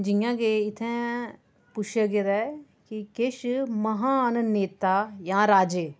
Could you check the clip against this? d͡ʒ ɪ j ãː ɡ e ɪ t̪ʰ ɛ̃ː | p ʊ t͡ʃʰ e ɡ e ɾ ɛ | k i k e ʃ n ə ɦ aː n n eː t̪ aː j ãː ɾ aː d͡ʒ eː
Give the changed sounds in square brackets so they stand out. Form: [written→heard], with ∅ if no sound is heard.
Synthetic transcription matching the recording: d͡ʒ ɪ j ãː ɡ e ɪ t̪ʰ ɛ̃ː | p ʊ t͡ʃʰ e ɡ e ɾ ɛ | k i k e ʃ [n→m] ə ɦ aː n n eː t̪ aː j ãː ɾ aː d͡ʒ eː